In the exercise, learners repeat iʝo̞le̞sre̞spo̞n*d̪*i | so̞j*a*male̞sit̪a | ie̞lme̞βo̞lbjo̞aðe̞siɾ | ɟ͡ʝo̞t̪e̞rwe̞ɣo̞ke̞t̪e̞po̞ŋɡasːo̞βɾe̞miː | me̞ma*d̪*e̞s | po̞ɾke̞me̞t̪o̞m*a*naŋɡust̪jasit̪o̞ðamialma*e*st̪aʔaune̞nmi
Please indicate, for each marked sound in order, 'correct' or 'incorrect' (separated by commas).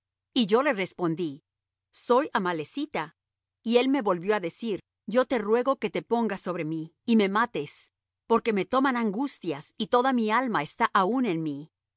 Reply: correct, correct, incorrect, correct, correct